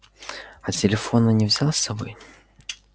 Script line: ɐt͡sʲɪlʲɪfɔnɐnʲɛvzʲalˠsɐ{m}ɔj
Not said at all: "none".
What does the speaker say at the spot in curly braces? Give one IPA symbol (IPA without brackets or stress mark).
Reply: b